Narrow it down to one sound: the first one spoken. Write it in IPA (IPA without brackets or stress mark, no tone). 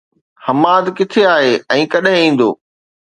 h